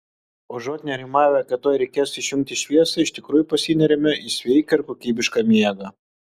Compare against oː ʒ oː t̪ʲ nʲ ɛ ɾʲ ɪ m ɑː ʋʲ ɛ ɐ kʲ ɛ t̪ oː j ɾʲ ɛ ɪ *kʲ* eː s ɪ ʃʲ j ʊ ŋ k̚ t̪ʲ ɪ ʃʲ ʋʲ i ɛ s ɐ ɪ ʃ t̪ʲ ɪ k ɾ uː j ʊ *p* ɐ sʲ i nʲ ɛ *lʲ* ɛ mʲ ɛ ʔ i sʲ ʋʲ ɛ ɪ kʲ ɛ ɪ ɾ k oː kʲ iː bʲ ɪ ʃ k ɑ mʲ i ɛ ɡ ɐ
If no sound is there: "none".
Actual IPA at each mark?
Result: kʲ, p, ɾʲ

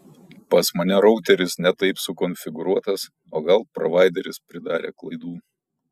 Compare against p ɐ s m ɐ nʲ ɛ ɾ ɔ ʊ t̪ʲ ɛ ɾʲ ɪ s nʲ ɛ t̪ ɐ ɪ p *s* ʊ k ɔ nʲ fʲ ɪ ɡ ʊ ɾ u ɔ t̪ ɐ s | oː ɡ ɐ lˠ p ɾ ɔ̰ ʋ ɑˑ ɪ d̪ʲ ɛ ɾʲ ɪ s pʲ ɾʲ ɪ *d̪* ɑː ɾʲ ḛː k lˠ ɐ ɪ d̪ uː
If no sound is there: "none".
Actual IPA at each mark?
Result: s, d̪

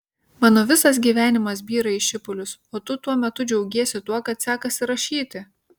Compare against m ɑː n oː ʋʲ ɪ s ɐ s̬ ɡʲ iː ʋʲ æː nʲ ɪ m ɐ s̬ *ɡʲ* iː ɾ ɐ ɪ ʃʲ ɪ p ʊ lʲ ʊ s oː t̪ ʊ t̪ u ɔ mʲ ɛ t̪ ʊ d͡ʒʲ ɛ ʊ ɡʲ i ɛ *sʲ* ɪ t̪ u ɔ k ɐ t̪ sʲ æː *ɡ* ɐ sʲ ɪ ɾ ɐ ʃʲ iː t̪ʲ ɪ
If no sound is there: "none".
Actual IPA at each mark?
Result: bʲ, sʲ, k

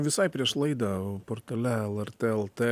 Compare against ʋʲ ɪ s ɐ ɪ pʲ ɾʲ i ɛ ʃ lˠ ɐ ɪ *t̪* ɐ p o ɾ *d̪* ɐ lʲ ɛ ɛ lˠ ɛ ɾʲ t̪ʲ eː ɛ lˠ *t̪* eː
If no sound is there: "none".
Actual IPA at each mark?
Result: d̪, t̪, t̪

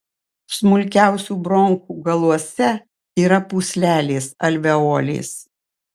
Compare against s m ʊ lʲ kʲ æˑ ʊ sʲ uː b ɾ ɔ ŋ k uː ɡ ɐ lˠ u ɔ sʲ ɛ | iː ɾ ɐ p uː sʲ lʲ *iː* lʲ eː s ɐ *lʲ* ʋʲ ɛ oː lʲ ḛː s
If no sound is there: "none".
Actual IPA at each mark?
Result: æː, lʲ

